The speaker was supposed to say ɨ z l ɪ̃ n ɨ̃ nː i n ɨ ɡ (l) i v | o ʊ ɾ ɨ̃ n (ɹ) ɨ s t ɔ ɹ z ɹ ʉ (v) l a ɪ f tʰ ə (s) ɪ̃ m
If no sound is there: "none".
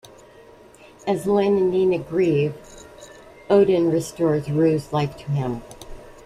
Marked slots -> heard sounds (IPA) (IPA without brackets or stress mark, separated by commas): ɹ, ɹ, z, none